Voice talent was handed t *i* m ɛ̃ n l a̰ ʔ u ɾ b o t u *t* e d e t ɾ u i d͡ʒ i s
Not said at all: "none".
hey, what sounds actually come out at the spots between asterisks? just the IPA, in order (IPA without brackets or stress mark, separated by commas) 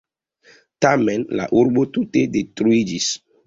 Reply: a, t